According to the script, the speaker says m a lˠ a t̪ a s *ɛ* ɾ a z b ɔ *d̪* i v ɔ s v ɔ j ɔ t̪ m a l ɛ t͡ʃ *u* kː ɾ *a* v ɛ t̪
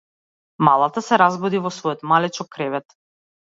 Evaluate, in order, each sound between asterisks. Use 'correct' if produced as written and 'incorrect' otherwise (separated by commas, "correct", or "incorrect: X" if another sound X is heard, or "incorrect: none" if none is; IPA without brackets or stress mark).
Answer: correct, correct, incorrect: ɔ, incorrect: ɛ